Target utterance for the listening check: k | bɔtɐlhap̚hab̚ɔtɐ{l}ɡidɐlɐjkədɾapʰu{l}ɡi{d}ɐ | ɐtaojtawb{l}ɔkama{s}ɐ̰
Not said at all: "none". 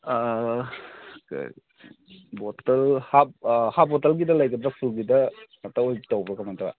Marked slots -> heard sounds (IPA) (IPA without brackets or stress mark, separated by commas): l, l, d, ɾ, t